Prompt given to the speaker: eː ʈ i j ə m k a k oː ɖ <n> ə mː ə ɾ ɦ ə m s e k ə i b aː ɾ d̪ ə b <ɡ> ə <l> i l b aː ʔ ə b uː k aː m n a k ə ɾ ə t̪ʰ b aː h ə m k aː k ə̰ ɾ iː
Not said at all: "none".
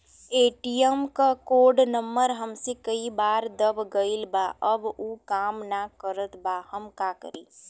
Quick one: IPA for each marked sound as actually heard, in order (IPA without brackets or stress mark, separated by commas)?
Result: n, ɡ, none